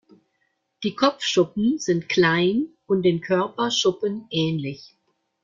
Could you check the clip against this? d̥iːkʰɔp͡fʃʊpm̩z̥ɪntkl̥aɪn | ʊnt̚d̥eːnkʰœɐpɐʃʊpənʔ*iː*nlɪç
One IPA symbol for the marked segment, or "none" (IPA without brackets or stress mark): ɛː